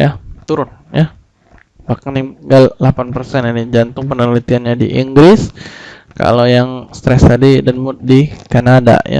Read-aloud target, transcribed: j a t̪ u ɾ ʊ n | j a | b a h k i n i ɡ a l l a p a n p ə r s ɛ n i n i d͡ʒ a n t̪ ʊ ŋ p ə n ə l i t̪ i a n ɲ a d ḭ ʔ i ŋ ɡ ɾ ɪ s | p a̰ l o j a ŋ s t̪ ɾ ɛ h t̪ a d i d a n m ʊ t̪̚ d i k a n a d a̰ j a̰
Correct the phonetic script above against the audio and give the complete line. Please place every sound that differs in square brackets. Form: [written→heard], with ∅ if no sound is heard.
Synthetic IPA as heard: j a t̪ u ɾ ʊ n | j a | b a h k [i→a] n i ɡ a l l a p a n p ə r s ɛ n i n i d͡ʒ a n t̪ ʊ ŋ p ə n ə l i t̪ i a n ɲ a d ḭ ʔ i ŋ ɡ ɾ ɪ s | [p→k] a̰ l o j a ŋ s t̪ ɾ ɛ [h→s] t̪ a d i d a n m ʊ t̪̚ d i k a n a d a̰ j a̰